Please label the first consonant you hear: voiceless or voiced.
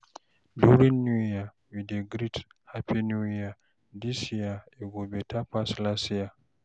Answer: voiced